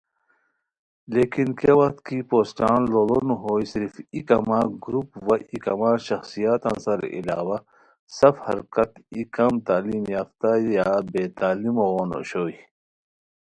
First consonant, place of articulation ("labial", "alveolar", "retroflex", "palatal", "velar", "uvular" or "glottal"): alveolar